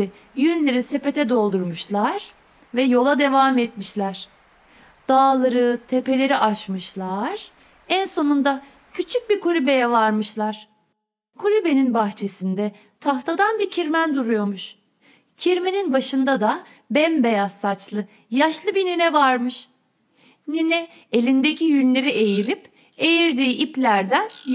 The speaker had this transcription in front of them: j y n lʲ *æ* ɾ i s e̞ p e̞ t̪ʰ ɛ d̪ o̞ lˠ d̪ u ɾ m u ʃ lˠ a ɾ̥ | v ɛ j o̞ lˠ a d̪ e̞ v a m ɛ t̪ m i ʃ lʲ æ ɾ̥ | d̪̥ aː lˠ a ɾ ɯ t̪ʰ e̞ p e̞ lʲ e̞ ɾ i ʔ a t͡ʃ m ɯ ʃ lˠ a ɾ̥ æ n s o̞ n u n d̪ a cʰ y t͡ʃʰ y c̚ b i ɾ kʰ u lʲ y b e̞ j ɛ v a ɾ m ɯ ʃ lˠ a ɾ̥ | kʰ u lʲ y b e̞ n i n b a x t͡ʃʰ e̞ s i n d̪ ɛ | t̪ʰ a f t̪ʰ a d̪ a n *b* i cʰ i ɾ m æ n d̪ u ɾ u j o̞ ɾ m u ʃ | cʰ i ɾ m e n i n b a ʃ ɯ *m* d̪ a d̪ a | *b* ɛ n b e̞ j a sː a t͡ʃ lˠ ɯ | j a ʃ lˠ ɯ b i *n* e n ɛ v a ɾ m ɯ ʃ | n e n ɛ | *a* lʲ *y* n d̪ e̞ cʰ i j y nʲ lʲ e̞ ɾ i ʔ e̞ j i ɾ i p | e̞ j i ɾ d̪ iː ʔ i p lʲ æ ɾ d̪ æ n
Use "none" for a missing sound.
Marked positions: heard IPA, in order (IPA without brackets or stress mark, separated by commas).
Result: e, b, n, b, n, e, i